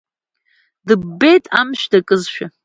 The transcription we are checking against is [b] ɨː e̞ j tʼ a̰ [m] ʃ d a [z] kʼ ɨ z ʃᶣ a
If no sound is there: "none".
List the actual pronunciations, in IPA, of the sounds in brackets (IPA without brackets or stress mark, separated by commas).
d, m, none